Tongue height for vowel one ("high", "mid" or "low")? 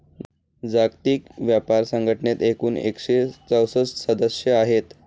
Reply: low